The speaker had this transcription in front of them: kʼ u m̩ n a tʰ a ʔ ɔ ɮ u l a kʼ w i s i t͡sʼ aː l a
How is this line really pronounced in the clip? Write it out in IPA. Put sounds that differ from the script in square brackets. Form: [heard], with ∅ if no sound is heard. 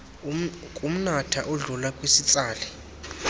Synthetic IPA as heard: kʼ u m̩ n a tʰ a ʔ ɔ ɮ u l a kʼ w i s i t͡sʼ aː l [ɛ]